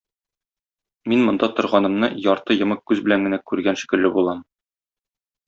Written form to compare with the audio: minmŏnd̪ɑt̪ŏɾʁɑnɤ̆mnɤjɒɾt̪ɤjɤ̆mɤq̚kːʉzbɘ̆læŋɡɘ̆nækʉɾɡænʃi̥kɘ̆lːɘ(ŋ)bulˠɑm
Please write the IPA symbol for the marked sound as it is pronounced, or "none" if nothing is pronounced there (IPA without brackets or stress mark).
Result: none